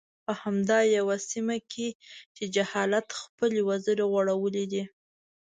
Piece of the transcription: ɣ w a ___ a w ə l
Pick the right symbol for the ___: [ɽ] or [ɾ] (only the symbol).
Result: ɽ